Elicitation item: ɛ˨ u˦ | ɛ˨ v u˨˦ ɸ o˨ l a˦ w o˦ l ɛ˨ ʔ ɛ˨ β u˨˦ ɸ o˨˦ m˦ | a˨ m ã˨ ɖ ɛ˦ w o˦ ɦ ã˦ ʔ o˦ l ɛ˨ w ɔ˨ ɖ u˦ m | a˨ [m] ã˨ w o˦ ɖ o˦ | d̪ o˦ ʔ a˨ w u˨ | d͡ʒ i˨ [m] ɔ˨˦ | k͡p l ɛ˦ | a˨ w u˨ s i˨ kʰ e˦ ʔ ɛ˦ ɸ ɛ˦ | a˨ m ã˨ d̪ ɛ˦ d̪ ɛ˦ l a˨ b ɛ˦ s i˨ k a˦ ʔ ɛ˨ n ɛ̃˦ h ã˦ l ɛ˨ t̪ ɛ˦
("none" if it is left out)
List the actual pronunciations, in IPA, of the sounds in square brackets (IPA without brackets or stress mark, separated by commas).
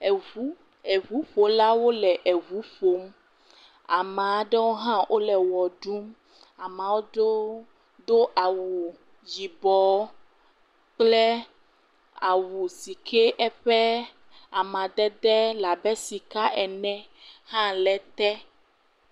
m, b